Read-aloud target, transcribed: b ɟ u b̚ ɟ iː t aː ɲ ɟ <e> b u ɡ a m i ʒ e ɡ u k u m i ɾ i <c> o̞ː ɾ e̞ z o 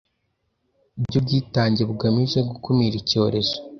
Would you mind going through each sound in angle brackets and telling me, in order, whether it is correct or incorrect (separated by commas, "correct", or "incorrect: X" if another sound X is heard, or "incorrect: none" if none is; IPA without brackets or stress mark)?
correct, correct